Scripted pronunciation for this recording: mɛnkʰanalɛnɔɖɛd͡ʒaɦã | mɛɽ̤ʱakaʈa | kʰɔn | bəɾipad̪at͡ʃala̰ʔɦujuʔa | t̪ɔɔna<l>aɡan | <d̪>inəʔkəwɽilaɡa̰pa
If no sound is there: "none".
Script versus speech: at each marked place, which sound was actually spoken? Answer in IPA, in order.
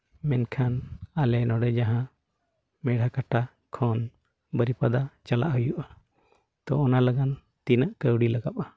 l, t̪

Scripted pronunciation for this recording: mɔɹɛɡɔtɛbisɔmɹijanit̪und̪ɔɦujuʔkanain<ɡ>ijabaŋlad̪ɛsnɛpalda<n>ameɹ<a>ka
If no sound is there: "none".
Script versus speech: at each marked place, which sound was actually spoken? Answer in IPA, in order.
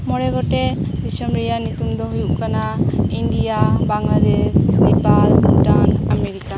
d, n, i

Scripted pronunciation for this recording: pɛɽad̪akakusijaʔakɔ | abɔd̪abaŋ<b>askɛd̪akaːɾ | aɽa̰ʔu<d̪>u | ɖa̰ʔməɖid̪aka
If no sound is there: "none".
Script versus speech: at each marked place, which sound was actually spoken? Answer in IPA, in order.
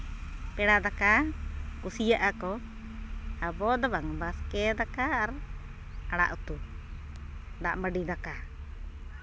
b, t̪

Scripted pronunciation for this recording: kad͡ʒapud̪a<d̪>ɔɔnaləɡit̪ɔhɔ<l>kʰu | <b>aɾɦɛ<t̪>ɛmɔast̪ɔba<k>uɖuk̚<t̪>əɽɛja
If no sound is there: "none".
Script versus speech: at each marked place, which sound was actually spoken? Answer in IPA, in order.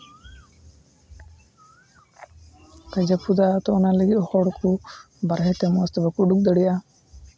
t̪, ɽ, b, t̪, k, d̪

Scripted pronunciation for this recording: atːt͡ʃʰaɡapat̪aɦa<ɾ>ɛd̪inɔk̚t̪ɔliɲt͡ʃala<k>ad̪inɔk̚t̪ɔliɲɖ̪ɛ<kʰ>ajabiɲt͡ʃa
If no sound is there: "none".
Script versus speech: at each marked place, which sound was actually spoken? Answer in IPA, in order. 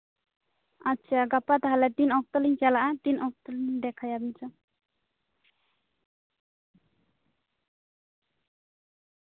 l, ʔ, kʰ

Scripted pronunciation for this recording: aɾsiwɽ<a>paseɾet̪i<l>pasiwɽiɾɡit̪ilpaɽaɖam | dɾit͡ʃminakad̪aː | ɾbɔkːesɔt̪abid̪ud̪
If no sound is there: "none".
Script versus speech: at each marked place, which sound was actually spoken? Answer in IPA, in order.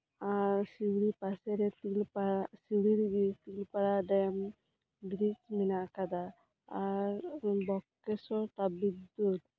i, l

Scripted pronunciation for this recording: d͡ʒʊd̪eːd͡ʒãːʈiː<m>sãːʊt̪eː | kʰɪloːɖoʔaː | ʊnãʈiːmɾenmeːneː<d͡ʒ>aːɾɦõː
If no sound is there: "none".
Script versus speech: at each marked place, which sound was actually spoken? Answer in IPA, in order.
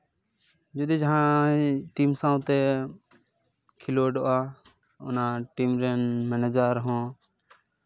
m, d͡ʒ

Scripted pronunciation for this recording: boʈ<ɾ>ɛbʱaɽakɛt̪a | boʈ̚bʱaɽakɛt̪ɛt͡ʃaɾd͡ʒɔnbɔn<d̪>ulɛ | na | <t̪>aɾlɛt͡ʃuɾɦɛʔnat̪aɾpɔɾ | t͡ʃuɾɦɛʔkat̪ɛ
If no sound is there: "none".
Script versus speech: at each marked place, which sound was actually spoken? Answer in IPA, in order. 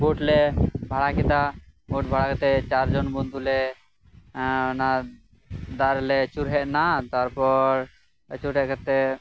l, d̪, d̪

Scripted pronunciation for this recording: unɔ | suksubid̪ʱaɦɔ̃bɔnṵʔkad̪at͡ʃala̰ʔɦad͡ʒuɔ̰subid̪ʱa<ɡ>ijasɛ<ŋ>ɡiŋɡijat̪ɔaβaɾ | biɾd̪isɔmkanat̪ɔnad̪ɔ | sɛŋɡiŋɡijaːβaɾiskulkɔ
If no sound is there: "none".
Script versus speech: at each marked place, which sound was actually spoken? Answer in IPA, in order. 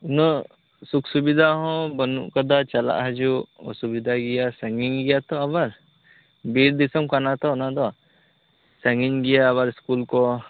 ɡ, ŋ

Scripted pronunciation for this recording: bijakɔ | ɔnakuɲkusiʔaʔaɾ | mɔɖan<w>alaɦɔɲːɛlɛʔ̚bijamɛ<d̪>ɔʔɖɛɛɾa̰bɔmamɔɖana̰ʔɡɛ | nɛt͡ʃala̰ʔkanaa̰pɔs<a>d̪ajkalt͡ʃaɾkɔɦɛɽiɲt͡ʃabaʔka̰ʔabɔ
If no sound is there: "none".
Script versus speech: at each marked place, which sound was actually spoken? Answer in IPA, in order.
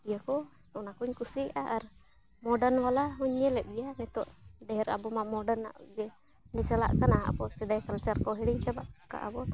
w, t̪, ɛ

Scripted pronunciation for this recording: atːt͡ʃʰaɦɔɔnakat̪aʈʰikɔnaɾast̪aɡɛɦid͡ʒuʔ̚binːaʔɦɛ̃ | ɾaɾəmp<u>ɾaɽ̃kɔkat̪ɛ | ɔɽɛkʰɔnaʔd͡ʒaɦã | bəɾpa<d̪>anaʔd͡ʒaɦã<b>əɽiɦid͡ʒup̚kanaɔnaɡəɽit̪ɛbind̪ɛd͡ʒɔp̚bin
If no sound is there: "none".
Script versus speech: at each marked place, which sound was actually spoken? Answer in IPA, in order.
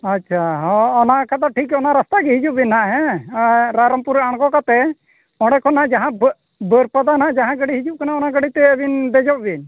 u, d̪, ɡ

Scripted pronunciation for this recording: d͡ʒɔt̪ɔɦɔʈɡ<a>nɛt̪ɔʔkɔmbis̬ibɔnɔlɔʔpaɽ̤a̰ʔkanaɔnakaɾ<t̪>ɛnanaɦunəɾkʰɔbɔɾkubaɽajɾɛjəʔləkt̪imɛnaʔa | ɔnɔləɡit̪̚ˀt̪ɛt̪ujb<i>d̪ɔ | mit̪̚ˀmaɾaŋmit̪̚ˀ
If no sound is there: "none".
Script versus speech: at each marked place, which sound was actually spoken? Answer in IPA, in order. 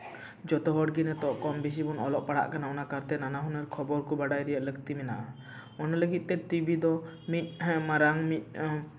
i, t̪, i

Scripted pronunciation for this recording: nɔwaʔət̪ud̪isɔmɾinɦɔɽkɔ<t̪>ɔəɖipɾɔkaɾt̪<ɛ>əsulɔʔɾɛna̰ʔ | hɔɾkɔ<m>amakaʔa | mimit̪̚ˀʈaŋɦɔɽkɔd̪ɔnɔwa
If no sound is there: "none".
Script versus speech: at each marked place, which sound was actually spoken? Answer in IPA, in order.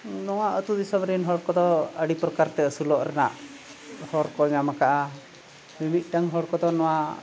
d̪, ɛ, ɲ

